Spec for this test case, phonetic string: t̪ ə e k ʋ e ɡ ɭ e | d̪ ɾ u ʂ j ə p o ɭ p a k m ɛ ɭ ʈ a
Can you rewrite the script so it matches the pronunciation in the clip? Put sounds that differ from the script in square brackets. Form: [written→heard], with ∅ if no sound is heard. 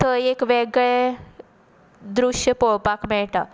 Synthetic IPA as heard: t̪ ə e k ʋ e ɡ ɭ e | d̪ ɾ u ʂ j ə p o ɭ p a k m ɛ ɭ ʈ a